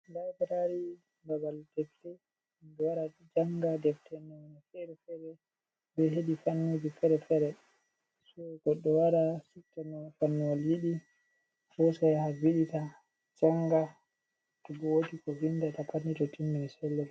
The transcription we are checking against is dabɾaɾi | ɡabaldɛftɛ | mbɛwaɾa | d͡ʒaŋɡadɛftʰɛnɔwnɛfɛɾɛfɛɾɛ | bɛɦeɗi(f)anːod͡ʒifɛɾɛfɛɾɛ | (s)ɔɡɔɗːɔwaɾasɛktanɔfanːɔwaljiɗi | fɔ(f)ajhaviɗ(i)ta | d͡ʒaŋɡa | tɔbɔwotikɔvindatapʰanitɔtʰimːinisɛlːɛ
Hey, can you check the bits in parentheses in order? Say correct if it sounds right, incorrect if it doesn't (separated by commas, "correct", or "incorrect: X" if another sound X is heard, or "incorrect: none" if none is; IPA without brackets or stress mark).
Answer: correct, correct, incorrect: s, correct